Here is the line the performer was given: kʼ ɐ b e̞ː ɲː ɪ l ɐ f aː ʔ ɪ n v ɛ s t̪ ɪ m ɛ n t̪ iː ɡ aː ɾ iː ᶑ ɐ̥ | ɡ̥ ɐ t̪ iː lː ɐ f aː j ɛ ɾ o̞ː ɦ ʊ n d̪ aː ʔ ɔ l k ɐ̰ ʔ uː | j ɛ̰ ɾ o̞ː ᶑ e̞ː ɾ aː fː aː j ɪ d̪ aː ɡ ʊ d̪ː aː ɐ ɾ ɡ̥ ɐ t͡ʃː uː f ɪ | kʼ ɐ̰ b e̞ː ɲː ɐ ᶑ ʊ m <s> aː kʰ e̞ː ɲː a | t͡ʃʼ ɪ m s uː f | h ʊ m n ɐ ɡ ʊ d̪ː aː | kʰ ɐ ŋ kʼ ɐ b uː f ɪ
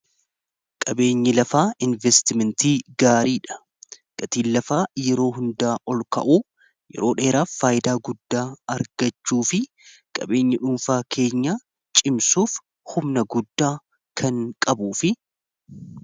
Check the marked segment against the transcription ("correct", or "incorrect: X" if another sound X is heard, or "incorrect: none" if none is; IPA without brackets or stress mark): incorrect: f